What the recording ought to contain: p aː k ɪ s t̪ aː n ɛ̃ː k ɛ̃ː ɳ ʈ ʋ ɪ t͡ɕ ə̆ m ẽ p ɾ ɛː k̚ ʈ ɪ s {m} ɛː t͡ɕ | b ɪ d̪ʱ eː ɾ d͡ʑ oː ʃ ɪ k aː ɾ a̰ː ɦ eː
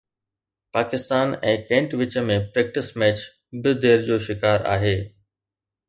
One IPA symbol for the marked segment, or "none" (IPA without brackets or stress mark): m